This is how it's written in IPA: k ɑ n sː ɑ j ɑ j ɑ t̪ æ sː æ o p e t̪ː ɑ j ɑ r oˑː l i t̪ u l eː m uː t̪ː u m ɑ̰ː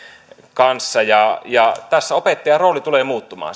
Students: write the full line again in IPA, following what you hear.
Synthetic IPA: k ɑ n sː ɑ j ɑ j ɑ t̪ æ sː æ o p e t̪ː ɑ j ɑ r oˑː l i t̪ u l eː m uː t̪ː u m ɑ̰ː